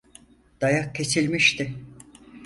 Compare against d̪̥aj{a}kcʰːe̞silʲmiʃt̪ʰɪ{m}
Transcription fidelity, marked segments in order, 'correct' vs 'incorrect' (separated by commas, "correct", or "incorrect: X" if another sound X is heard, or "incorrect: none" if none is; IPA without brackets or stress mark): correct, incorrect: none